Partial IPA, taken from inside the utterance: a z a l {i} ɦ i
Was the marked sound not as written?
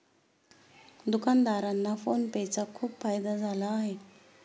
yes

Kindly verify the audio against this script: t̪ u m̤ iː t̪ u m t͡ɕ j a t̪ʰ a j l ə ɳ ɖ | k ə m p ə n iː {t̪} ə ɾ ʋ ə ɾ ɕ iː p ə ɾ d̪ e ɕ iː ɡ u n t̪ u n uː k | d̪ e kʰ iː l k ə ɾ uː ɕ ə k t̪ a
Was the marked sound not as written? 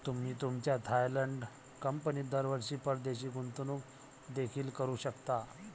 yes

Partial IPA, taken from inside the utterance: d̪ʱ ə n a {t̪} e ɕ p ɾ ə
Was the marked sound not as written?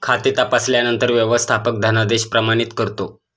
yes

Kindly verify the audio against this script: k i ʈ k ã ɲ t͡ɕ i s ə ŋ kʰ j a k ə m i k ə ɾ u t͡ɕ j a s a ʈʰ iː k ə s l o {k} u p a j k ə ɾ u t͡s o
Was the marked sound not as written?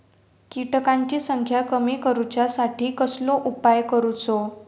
yes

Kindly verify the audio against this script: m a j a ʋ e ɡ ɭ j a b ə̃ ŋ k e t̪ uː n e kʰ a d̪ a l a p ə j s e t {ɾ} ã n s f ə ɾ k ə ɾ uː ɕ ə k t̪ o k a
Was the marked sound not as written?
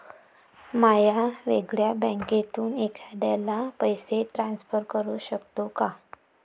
no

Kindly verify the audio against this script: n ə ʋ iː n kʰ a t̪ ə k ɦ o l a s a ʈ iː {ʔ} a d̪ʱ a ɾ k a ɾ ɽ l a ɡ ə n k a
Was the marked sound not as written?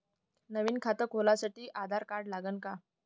no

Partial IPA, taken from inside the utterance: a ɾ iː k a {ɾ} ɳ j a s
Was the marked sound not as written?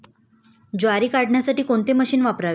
yes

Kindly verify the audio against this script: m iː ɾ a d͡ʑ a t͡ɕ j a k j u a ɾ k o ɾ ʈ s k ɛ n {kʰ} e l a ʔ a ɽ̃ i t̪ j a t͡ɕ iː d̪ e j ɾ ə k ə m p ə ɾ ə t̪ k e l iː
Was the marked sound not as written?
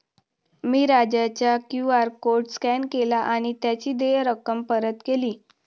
yes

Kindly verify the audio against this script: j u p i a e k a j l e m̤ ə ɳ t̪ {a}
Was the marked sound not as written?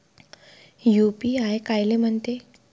yes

